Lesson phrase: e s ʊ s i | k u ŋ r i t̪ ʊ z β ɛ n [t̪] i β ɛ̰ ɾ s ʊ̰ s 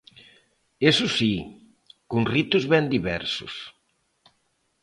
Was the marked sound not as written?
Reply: yes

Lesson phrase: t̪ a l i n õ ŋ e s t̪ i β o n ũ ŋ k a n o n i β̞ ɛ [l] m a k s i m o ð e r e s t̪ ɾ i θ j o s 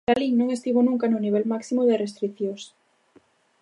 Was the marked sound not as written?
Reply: no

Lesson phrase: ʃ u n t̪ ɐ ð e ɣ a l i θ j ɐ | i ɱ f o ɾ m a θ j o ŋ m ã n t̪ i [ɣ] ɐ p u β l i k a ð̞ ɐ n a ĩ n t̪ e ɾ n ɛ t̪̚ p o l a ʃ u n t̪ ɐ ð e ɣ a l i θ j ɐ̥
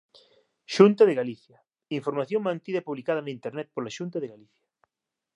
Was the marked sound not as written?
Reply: yes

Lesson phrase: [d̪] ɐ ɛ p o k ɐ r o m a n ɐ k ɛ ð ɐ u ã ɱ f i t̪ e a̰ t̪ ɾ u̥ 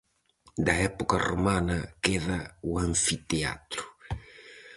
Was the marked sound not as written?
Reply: no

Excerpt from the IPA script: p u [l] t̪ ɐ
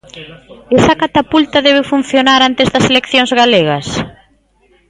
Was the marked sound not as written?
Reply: no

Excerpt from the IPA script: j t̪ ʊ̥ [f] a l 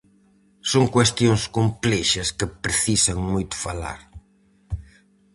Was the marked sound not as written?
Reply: no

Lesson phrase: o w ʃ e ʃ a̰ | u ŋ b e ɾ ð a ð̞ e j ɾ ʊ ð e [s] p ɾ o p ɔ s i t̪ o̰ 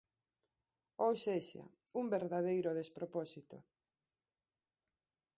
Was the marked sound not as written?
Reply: no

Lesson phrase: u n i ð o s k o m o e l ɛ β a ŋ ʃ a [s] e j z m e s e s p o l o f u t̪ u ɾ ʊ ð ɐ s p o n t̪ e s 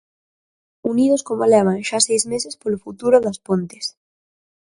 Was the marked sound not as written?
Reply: no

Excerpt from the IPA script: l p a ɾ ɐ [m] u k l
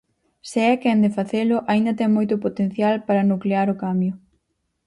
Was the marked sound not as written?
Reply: yes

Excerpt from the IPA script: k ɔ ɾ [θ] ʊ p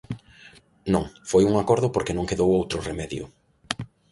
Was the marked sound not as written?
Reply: yes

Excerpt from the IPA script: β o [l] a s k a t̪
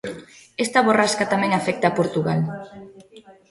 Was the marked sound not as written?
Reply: yes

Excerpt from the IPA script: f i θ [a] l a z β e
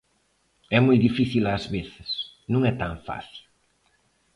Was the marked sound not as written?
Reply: yes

